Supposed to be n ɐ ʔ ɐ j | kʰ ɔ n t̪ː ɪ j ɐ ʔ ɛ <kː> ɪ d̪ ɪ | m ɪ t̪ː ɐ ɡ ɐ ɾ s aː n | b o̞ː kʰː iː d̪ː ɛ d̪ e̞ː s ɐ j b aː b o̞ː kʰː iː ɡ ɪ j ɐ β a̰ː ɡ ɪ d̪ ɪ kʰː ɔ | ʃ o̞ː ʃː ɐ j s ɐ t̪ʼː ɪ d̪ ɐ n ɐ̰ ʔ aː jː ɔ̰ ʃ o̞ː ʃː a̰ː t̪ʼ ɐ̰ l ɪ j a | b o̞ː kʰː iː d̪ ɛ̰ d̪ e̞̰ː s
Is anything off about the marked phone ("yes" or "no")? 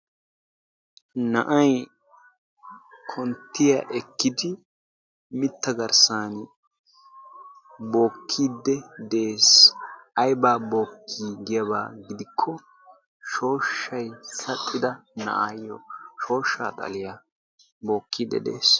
no